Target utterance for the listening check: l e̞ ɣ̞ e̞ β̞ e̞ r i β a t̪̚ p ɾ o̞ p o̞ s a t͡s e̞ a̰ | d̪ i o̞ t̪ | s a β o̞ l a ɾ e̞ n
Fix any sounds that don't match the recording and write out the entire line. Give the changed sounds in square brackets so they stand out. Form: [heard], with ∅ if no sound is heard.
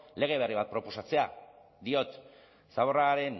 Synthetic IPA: l e̞ ɣ̞ e̞ β̞ e̞ r i β a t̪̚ p ɾ o̞ p o̞ s a t͡s e̞ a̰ | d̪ i o̞ t̪ | s a β o̞ [r] a ɾ e̞ n